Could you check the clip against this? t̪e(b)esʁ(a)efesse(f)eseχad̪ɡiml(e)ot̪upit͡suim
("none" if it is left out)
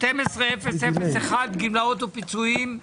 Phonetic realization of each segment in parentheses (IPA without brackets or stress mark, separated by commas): m, e, f, a